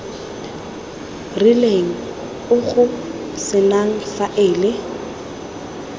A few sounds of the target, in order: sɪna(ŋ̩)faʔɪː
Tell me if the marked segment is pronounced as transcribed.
yes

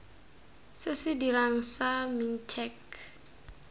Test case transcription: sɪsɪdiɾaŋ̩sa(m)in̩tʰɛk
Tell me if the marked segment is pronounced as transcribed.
yes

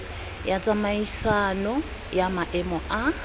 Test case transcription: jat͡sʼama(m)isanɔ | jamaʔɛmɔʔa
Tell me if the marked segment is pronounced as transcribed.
no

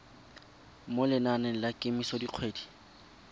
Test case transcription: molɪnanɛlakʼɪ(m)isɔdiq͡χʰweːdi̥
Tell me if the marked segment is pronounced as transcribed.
yes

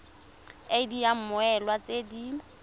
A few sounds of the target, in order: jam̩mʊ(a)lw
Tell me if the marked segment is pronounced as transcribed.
no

